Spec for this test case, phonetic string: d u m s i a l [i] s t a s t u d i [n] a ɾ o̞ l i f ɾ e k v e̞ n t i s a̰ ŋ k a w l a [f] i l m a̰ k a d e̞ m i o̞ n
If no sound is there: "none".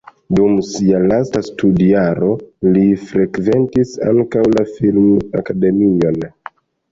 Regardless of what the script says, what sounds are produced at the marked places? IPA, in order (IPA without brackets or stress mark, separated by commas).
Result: a, none, f